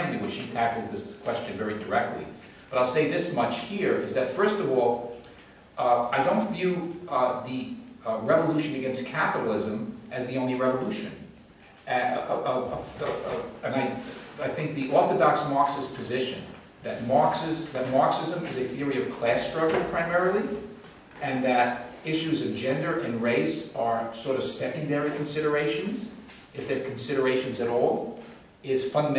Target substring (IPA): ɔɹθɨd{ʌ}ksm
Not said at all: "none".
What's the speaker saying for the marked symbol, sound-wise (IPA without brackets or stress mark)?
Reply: ɑ